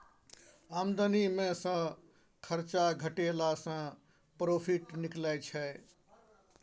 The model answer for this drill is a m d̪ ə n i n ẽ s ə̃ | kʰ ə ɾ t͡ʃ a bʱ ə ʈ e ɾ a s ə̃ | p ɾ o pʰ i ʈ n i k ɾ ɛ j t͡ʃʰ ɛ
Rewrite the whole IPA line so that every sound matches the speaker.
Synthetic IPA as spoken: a m d̪ ə n i m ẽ s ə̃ | kʰ ə ɾ t͡ʃ a ɡʱ ə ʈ e l a s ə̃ | p ɾ o pʰ i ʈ n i k l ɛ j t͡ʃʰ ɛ